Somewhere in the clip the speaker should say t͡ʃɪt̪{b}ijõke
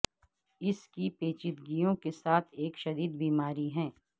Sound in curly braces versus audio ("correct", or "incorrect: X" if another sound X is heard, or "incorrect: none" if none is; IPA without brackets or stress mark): incorrect: ɡ